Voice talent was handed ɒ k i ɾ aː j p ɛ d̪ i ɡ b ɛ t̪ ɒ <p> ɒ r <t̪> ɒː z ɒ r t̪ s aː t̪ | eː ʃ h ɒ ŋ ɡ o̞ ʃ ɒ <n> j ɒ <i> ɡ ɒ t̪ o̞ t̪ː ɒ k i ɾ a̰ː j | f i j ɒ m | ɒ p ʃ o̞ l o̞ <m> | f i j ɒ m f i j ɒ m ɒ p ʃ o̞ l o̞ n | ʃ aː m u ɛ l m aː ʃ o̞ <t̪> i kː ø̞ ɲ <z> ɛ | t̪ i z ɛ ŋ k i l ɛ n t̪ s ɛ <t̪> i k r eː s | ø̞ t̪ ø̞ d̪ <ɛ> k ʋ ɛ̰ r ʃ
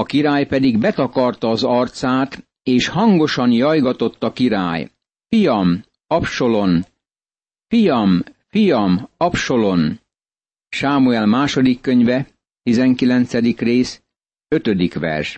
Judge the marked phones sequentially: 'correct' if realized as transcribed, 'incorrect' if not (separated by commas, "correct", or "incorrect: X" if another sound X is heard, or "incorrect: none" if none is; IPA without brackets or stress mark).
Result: incorrect: k, correct, correct, incorrect: j, incorrect: n, incorrect: d̪, incorrect: v, incorrect: d̪, incorrect: i